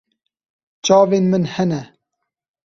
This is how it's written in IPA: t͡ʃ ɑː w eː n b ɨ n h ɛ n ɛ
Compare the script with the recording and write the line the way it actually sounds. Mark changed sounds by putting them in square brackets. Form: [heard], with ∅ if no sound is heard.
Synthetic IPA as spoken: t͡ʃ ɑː [v] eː n [m] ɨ n h ɛ n ɛ